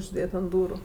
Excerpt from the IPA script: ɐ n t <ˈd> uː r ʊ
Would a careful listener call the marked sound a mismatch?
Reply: no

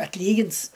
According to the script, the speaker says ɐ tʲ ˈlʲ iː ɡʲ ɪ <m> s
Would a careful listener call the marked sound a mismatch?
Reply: yes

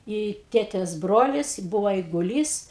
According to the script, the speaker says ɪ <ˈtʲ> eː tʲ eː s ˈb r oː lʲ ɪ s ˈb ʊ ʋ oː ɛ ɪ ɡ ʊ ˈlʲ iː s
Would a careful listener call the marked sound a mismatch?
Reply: no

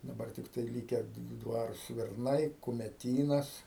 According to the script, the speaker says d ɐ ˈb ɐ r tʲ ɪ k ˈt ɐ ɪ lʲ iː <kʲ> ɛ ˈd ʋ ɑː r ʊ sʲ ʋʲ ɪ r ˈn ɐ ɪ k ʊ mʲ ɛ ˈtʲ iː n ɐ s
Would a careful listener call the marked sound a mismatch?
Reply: no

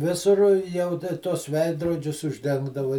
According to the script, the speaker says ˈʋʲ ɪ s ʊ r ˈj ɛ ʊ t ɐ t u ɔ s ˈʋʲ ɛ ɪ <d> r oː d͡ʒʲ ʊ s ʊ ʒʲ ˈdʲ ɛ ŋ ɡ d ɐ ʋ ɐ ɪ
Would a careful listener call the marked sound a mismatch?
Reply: no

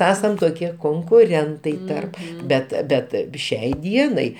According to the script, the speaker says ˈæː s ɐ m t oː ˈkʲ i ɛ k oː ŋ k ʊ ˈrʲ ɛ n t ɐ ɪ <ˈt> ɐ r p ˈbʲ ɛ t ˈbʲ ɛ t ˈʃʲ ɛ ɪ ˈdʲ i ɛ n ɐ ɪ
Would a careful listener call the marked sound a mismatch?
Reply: no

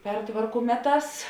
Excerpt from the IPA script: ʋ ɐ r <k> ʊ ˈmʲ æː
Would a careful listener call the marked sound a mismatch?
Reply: no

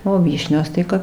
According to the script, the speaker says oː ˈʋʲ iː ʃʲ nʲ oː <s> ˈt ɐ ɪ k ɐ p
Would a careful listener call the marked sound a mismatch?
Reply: no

